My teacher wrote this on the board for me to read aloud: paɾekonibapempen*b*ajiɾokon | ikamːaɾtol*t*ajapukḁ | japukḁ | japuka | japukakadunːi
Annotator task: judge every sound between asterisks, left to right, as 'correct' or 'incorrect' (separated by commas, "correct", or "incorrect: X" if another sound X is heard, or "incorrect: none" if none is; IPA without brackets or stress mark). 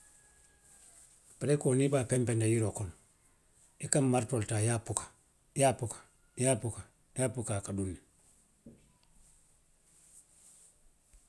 incorrect: d, correct